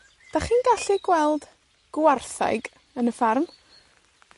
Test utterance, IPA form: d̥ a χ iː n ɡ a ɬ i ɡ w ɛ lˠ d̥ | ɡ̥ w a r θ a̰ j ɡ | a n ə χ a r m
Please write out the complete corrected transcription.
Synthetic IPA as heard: d̥ a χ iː n ɡ a ɬ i ɡ w ɛ lˠ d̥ | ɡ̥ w a r θ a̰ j ɡ | ə n ə f a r m